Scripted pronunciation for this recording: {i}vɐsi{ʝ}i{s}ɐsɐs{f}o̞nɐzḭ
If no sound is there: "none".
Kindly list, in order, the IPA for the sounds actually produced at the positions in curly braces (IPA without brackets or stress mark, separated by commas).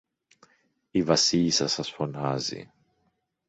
i, ʎ, s, f